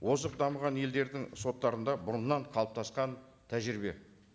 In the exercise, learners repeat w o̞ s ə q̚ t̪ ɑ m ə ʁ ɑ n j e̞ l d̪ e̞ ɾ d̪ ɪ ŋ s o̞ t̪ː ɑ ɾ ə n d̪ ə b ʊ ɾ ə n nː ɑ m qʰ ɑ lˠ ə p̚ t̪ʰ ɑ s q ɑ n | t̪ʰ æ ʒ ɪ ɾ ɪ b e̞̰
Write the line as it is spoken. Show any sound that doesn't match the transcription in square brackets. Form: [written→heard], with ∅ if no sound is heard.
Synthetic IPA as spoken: w o̞ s ə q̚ [t̪→d̪] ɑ m ə ʁ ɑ n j e̞ l d̪ e̞ ɾ d̪ ɪ ŋ s o̞ t̪ː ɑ ɾ ə n d̪ [ə→ɑ] b ʊ ɾ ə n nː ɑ [m→ɴ] qʰ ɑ lˠ ə p̚ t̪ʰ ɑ s q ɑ n | t̪ʰ æ ʒ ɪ ɾ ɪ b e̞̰